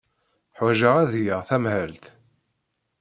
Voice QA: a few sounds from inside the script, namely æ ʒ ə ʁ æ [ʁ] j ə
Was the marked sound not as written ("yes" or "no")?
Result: yes